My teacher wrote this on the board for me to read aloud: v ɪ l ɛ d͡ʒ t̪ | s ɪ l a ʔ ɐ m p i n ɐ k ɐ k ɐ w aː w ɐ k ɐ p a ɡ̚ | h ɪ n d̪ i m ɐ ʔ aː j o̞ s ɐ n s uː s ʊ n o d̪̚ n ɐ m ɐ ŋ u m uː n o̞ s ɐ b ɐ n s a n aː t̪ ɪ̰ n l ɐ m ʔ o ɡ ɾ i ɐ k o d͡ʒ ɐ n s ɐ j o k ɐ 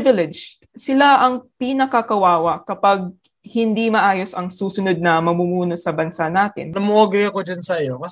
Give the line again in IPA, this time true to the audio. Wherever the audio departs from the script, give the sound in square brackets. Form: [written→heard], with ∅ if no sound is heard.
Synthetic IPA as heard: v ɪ l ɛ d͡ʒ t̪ | s ɪ l a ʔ ɐ [m→ŋ] p i n ɐ k ɐ k ɐ w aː w ɐ k ɐ p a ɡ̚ | h ɪ n d̪ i m ɐ ʔ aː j o̞ s ɐ [n→ŋ] s uː s ʊ n o d̪̚ n ɐ m ɐ [ŋ→m] u m uː n o̞ s ɐ b ɐ n s a n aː t̪ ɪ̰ n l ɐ m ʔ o ɡ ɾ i ɐ k o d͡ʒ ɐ n s ɐ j o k ɐ